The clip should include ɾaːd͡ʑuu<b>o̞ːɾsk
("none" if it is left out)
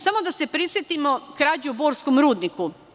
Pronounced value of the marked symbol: b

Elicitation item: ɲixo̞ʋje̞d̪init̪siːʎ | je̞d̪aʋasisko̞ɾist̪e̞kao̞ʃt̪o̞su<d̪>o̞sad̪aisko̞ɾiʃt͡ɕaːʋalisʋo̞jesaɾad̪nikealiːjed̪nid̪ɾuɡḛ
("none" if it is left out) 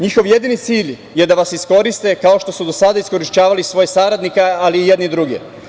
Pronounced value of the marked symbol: d̪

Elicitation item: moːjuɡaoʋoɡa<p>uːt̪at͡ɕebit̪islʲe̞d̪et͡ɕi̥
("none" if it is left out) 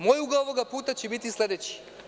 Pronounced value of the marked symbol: p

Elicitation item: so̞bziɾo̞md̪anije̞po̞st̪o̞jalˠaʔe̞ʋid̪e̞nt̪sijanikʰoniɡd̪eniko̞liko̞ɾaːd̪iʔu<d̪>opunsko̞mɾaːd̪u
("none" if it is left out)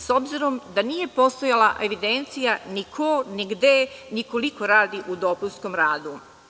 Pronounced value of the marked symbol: d̪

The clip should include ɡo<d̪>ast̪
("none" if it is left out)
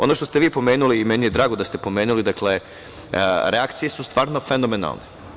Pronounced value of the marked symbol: d̪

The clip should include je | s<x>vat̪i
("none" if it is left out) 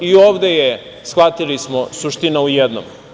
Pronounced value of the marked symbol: x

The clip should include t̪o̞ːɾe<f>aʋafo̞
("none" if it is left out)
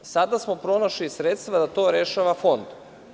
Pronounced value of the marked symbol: ʃ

